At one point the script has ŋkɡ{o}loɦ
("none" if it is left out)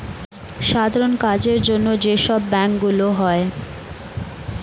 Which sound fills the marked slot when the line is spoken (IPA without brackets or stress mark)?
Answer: u